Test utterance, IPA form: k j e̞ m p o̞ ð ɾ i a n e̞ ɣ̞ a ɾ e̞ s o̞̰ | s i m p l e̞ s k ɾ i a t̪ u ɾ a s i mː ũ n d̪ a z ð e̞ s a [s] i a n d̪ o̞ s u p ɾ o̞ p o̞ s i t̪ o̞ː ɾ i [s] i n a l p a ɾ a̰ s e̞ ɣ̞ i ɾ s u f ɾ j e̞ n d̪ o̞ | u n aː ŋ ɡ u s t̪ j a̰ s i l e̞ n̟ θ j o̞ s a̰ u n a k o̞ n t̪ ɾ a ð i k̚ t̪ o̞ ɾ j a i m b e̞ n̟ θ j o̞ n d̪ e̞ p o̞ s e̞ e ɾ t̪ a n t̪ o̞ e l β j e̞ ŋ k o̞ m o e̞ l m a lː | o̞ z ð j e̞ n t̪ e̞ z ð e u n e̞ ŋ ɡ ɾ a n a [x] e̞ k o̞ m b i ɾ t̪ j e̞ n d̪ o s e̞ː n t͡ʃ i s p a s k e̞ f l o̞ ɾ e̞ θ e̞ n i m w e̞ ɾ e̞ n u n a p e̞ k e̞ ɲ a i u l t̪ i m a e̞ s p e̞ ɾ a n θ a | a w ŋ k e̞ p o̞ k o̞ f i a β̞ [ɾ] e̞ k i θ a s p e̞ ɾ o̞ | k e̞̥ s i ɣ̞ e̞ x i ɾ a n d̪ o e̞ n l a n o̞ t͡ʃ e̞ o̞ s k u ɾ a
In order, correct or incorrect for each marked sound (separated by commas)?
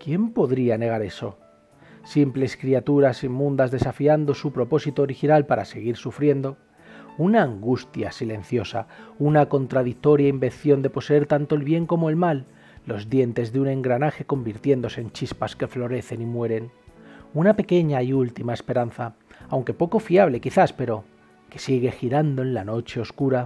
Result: incorrect, incorrect, correct, incorrect